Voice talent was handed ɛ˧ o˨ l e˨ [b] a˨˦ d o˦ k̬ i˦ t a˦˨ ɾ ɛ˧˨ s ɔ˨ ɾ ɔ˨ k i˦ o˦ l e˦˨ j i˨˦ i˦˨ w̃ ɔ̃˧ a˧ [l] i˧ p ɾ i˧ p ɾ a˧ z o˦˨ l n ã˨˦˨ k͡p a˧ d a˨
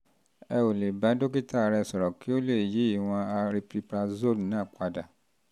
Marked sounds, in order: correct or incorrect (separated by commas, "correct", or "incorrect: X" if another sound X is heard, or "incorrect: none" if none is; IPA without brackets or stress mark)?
correct, incorrect: ɾ